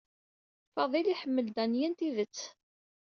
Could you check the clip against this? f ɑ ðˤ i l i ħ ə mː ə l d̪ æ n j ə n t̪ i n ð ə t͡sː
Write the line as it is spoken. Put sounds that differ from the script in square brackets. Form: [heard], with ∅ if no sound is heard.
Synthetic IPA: f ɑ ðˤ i l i ħ ə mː ə l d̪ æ n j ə n t̪ i [∅] ð ə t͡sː

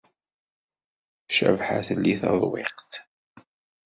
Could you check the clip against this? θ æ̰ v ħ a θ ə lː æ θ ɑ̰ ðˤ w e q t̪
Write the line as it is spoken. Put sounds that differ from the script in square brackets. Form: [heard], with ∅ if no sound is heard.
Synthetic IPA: [ʃ] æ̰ v ħ a θ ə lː [i] θ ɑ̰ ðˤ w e q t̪

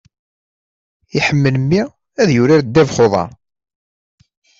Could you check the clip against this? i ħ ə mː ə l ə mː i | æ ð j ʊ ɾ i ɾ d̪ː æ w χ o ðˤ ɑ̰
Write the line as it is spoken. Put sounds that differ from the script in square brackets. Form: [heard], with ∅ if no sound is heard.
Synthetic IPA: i ħ ə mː ə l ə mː i | æ ð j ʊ ɾ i ɾ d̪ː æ [v] χ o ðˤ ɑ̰

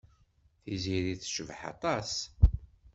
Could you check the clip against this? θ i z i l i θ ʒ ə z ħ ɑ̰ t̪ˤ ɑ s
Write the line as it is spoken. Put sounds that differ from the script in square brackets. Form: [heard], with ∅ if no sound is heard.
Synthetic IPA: θ i z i [ɾ] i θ [ʃ] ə [v] ħ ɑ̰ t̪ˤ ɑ s

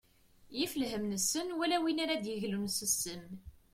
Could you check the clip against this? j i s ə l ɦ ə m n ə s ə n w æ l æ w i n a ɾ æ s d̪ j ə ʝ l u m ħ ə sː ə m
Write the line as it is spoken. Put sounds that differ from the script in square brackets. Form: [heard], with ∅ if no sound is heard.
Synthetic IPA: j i [f] ə l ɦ ə m n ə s ə n w æ l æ w i n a ɾ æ [∅] d̪ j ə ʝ l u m [s] ə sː ə m

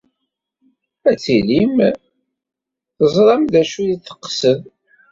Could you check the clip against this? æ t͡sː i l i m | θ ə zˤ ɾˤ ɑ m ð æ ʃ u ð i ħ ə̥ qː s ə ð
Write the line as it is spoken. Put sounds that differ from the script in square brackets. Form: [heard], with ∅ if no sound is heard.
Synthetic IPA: æ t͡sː i l i m | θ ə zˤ ɾˤ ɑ m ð æ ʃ u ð i [θ] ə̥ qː s ə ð

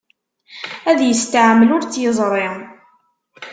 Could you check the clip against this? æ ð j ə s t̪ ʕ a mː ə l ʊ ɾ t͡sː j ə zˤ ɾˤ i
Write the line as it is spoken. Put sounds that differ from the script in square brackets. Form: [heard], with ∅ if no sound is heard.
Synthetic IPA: æ ð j ə s t̪ ʕ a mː ə l ʊ ɾ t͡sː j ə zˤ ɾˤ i

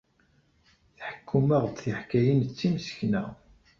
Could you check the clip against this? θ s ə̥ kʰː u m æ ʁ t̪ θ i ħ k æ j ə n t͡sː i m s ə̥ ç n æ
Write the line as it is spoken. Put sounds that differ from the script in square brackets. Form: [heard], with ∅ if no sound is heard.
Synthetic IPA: θ [ħ] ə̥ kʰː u m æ ʁ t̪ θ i ħ k æ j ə n t͡sː i m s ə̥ ç n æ

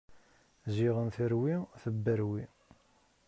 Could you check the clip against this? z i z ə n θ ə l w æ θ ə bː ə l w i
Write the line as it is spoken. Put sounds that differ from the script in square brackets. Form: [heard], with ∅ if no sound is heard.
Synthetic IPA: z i [ʁ] ə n θ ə [ɾ] w [i] θ ə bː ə [ɾ] w i

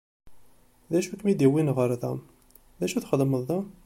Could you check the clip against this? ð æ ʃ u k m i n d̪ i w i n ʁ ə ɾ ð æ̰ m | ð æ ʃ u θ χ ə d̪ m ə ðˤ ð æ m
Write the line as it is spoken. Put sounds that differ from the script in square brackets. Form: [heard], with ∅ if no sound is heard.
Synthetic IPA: ð æ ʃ u k m i [∅] d̪ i w i n ʁ ə ɾ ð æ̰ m | ð æ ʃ u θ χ ə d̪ m ə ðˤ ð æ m

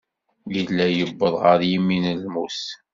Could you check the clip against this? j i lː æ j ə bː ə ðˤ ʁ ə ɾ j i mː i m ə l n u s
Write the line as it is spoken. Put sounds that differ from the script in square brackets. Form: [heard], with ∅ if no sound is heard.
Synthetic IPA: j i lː æ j ə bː ə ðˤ ʁ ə ɾ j i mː i [n] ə l [m] u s

